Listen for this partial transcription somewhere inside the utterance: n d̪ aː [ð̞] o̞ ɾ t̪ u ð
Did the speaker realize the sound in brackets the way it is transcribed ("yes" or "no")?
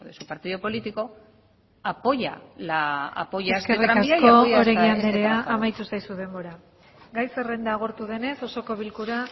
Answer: no